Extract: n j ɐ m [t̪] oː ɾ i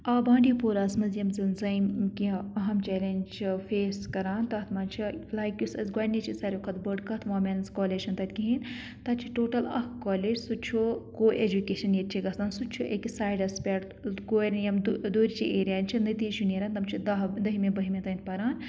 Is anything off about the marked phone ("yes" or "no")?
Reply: yes